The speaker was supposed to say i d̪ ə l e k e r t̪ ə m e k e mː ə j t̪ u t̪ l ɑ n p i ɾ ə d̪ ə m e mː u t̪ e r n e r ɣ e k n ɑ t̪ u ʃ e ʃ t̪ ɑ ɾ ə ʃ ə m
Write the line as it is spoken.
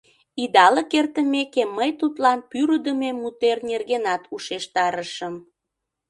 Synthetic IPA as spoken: i d̪ ɑ l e k e r t̪ ə m e k e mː ə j t̪ u t̪ l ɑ n p y ɾ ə d̪ ə m e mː u t̪ e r n e r ɣ e n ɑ t̪ u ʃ e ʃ t̪ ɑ ɾ ə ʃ ə m